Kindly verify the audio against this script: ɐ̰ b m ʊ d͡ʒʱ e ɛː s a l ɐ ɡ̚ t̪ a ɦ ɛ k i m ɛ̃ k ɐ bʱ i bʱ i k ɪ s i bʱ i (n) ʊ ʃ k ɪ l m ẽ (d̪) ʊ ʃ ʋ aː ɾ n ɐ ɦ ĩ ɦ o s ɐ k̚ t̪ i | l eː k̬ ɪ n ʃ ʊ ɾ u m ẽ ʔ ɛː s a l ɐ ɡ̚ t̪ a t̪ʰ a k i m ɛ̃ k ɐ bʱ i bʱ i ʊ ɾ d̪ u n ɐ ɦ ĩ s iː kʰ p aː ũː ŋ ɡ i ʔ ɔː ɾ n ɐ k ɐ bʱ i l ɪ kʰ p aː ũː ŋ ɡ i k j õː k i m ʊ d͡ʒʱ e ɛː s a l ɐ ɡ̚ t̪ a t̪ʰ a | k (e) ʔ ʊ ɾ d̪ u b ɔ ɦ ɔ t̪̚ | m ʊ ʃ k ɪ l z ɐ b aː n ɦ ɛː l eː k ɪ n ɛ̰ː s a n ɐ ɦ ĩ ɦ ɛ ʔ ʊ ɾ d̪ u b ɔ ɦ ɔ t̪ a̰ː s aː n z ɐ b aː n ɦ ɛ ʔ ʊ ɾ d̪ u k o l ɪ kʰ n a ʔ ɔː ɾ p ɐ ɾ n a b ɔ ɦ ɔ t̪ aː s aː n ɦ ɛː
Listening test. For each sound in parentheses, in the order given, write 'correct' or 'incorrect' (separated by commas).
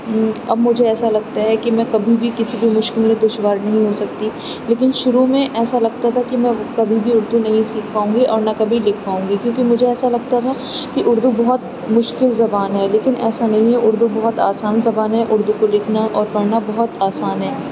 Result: incorrect, correct, incorrect